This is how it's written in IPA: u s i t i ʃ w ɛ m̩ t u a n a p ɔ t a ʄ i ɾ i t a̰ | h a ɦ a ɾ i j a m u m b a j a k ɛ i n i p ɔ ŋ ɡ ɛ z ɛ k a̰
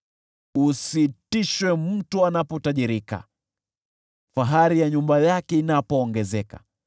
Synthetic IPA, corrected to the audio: u s i t i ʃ w ɛ m̩ t u a n a p ɔ t a ʄ i ɾ i k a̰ | f a ɦ a ɾ i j a ɲ u m b a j a k ɛ i n a p ɔː ŋ ɡ ɛ z ɛ k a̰